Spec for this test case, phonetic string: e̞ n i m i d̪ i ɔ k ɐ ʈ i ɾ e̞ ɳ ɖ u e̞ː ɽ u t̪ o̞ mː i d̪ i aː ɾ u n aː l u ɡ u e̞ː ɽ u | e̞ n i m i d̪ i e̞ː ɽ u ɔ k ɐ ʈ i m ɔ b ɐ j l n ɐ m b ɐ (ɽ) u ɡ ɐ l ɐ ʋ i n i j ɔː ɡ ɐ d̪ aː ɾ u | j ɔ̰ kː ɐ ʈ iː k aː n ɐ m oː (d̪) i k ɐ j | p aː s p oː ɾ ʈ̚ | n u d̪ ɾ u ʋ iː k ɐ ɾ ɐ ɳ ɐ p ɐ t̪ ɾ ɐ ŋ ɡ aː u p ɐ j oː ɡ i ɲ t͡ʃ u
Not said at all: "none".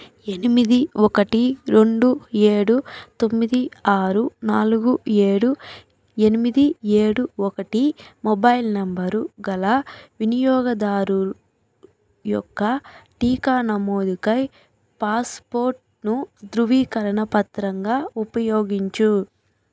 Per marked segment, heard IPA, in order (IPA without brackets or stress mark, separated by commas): ɾ, d̪